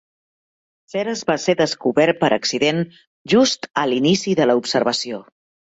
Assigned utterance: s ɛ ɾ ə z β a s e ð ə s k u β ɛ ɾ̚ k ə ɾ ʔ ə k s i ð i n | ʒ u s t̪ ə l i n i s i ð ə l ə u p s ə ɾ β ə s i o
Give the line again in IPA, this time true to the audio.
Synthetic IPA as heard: s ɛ ɾ ə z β a s e ð ə s k u β ɛ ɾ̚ p ə ɾ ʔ ə k s i ð e n | ʒ u s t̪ ə l i n i s i ð ə l ə u p s ə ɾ β ə s i o

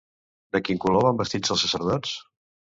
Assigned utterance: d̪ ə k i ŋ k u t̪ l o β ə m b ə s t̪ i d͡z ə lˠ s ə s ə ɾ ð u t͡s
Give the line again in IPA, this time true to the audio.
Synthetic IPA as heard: d̪ ə k i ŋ k u l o β a m b ə s t̪ i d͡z ə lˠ s ə s ə ɾ ð ɔ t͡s

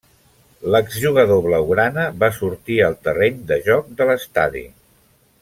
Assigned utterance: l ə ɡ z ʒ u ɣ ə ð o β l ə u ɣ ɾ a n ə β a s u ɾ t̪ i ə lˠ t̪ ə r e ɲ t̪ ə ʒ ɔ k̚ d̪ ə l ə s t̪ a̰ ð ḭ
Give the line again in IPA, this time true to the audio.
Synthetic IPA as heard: l ə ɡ z ʒ u ɣ ə ð o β l ə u ɣ ɾ a n ə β a s u ɾ t̪ i ə lˠ t̪ ə r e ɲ d̪ ə ʒ ɔ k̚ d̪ ə l ə s t̪ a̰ ð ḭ

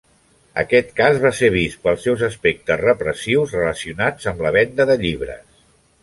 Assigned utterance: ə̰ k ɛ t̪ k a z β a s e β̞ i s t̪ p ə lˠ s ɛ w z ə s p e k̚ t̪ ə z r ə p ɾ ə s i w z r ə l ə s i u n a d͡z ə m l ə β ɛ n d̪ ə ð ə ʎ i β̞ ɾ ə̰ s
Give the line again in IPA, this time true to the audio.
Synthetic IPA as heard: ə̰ k ɛ t̪ k a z β a s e β̞ i s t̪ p ə lˠ s ɛ w z ə s p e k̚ t̪ ə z r ə p ɾ ə s i w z r ə l ə s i u n a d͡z ə m l ə β ɛ n d̪ ə ð ə ʎ i β̞ ɾ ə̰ s

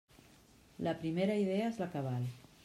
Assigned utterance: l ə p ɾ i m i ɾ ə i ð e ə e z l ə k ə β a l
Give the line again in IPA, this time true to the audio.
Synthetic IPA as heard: l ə p ɾ i m e ɾ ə i ð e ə e z l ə k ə β a l

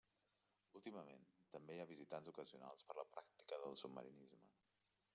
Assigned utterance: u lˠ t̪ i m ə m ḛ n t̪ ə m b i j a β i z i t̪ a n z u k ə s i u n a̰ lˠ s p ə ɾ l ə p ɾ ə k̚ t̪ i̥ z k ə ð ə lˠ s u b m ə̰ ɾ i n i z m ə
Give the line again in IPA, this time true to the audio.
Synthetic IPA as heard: u lˠ t̪ i m ə m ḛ n t̪ ə m b e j a β i z i t̪ a n z u k ə z i u n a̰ lˠ s p ə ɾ l ə p ɾ a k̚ t̪ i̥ k ə ð ə lˠ s u b m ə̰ ɾ i n i z m ə

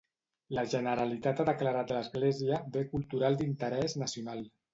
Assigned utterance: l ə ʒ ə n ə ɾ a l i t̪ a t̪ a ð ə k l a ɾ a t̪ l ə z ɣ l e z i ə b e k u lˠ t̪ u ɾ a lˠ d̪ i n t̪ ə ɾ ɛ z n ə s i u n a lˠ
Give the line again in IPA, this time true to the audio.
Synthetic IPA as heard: l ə ʒ ə n ə ɾ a l i t̪ a t̪ a ð ə k l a ɾ a t̪ l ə z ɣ l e z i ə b e k u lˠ t̪ u ɾ a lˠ d̪ i n t̪ ə ɾ ɛ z n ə s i u n a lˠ

